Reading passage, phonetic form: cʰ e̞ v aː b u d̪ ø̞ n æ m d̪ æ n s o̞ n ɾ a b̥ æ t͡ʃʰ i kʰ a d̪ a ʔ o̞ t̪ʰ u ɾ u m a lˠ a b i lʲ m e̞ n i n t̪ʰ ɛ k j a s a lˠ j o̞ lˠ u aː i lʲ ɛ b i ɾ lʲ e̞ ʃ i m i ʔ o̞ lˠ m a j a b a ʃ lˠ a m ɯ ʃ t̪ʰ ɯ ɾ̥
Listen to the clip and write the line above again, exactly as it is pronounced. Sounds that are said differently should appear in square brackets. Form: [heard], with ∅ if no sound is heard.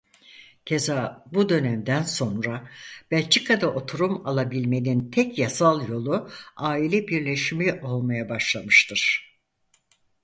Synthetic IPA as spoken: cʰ e̞ [z] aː b u d̪ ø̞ n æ m d̪ æ n s o̞ n ɾ a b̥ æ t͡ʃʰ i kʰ a d̪ a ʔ o̞ t̪ʰ u ɾ u m a lˠ a b i lʲ m e̞ n i n t̪ʰ ɛ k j a s a lˠ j o̞ lˠ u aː i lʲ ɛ b i ɾ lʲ e̞ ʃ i m i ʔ o̞ lˠ m a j a b a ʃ lˠ a m ɯ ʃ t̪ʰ ɯ ɾ̥